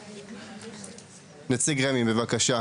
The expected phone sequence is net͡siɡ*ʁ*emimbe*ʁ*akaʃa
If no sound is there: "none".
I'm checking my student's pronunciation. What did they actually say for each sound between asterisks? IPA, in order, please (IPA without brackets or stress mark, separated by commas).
ʁ, v